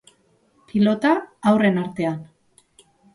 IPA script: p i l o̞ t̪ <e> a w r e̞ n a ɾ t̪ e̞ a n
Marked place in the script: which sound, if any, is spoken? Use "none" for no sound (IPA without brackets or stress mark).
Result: a